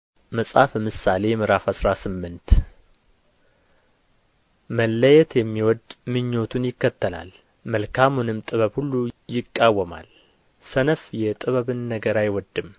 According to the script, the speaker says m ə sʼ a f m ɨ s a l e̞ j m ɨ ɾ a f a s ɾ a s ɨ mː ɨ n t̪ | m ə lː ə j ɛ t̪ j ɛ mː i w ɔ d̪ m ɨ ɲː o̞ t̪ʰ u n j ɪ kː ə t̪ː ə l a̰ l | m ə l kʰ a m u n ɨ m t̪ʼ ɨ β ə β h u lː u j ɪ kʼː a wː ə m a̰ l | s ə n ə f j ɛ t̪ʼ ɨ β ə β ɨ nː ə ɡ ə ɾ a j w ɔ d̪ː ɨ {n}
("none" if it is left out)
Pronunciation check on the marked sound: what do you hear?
m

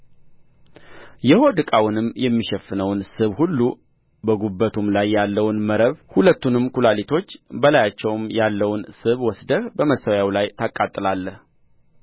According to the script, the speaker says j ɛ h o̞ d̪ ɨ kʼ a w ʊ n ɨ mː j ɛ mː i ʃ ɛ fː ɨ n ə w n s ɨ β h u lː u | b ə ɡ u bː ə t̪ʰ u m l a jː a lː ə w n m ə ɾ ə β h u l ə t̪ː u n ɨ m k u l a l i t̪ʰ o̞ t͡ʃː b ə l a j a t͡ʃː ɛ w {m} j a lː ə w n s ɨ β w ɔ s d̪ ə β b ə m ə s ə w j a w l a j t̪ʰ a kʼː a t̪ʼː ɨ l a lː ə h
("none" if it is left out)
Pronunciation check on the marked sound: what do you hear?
m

